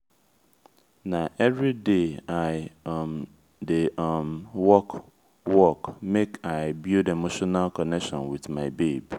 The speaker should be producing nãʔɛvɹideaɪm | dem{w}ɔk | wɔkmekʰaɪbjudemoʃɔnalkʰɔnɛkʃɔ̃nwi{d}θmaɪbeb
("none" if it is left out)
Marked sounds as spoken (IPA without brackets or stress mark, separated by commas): w, none